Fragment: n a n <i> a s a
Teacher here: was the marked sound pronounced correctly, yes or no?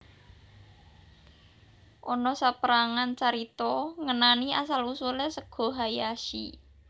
yes